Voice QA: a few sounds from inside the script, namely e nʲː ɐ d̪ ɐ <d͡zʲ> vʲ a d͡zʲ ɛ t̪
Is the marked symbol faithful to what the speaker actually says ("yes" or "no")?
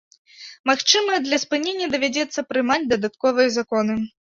no